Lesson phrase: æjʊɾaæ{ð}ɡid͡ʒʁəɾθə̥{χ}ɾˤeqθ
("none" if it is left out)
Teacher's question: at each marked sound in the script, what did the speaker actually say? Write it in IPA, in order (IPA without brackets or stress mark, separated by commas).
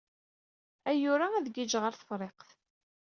ð, f